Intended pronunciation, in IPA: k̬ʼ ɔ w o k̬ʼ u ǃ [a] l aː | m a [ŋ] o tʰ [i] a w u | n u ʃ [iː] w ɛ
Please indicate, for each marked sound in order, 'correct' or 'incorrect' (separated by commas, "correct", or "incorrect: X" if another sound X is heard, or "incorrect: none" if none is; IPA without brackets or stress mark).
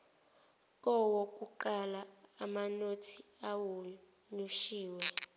correct, incorrect: n, correct, correct